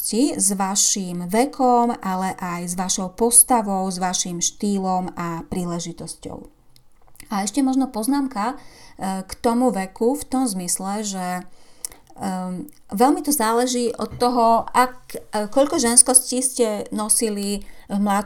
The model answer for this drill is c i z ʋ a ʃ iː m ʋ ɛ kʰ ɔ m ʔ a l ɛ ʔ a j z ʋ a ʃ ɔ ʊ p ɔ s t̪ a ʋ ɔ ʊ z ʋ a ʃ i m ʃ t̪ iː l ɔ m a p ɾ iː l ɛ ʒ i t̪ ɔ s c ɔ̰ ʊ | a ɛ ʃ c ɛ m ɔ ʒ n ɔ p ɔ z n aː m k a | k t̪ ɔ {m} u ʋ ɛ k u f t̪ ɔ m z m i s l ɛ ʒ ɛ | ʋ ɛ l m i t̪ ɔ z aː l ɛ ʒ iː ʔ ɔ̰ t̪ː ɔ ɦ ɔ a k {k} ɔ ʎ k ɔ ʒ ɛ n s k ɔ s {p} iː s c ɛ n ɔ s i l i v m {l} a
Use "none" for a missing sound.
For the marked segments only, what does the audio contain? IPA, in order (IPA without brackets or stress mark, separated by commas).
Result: m, k, c, l